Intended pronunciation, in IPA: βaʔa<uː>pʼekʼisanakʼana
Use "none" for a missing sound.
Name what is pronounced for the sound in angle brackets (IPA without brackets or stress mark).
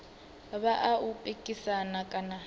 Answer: u